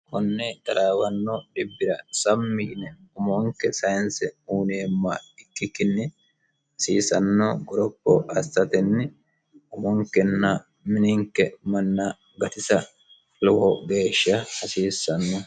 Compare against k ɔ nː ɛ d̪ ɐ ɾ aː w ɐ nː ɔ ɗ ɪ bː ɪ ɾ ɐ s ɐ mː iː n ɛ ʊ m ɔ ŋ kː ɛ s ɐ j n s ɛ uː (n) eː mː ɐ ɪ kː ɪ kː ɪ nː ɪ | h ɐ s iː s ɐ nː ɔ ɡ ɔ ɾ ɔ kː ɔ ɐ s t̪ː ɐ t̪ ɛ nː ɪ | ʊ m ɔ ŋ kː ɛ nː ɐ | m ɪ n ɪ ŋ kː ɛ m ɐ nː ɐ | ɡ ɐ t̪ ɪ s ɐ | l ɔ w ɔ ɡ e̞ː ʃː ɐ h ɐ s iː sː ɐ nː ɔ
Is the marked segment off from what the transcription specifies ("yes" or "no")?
no